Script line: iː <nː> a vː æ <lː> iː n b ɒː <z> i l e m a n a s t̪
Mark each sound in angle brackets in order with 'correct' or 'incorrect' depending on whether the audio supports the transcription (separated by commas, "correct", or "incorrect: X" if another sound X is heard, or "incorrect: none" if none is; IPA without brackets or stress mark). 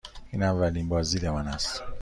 incorrect: n, incorrect: l, correct